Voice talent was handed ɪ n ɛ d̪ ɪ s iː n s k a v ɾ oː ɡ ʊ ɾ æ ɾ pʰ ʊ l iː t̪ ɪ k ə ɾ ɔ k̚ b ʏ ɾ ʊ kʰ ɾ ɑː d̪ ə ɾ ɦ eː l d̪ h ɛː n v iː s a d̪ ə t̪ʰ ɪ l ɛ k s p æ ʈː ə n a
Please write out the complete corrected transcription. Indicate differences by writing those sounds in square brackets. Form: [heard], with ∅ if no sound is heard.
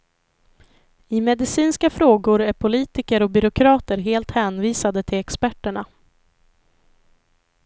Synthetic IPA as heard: ɪ [m] ɛ d̪ ɪ s iː n s k a [f] ɾ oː ɡ ʊ ɾ æ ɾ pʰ ʊ l iː t̪ ɪ k ə ɾ ɔ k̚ b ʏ ɾ ʊ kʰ ɾ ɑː [t̪] ə ɾ ɦ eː l [t̪] h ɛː n v iː s a d̪ ə t̪ʰ ɪ l ɛ k s p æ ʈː ə [ɳ] a